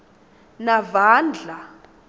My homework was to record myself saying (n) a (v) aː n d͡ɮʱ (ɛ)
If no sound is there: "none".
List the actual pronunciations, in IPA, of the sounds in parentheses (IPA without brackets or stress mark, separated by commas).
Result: n, v, a